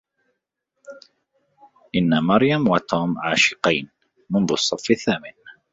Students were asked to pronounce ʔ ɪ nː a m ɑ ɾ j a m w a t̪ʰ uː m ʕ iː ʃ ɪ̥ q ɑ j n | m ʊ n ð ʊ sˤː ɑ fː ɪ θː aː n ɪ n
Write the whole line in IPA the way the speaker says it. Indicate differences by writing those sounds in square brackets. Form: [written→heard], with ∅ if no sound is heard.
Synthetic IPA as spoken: ʔ ɪ nː a m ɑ ɾ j a m w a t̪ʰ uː m ʕ [iː→aː] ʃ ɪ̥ q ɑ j n | m ʊ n ð ʊ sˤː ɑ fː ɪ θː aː [n→m] ɪ n